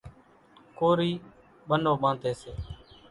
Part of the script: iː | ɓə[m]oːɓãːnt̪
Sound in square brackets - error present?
yes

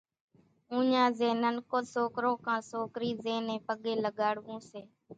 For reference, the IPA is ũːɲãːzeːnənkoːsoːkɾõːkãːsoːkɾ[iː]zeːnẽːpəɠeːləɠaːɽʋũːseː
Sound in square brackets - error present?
no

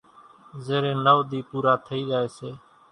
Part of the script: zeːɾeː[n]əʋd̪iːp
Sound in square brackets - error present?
no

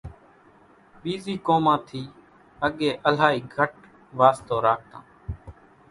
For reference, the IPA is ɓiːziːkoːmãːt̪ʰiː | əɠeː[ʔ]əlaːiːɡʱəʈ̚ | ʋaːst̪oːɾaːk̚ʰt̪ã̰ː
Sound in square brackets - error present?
no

